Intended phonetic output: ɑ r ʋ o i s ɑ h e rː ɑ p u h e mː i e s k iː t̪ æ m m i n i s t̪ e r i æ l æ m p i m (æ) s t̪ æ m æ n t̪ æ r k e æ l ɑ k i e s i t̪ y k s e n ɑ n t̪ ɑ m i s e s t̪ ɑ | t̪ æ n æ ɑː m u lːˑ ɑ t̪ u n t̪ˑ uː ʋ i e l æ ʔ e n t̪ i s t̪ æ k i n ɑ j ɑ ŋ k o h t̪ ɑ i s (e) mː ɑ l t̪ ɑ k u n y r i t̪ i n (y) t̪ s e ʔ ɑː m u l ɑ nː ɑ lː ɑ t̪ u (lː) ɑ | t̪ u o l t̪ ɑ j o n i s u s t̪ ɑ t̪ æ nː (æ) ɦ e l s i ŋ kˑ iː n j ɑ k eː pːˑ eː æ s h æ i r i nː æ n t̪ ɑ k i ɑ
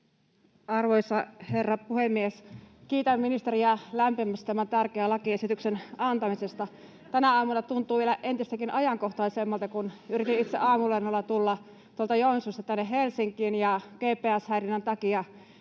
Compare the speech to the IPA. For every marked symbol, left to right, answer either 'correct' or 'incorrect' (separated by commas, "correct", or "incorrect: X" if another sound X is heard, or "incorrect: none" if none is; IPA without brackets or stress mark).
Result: correct, correct, incorrect: i, correct, incorrect: e